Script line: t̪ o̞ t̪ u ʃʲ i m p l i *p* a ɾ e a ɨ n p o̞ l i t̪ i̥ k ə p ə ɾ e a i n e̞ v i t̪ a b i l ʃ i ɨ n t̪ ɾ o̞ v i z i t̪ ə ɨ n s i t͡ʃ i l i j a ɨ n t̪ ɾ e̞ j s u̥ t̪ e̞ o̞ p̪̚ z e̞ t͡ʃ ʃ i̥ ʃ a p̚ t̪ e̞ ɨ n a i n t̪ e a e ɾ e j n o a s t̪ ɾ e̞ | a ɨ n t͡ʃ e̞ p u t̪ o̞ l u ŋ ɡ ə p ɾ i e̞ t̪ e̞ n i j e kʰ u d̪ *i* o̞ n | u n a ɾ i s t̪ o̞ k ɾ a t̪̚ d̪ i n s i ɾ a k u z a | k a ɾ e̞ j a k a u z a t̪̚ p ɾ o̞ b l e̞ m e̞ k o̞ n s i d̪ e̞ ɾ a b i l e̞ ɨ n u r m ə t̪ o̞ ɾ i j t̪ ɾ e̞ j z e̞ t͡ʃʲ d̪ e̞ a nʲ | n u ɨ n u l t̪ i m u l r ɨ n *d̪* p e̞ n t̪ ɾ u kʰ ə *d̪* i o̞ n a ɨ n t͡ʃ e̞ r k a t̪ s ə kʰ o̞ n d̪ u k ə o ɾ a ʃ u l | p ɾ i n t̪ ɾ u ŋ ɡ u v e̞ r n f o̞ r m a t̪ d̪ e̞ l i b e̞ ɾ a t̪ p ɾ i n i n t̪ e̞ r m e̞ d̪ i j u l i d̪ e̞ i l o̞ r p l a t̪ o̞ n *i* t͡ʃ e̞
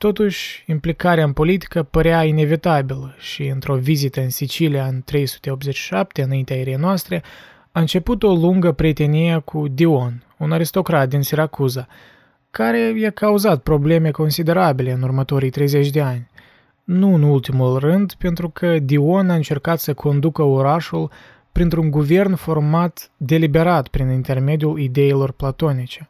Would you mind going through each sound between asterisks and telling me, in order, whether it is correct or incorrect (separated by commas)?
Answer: incorrect, correct, correct, correct, correct